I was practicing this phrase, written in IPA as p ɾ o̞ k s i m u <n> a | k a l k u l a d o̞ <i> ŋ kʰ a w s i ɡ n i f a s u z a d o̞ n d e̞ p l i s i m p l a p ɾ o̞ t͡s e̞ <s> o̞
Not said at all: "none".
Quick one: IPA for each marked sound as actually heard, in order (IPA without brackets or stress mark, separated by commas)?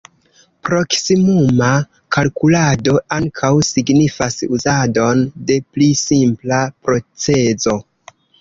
m, a, z